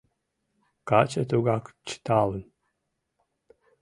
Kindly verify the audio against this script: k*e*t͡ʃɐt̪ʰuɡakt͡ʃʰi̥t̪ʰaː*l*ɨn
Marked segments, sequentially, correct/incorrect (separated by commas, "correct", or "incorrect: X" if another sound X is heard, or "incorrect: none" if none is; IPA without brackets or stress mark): incorrect: a, correct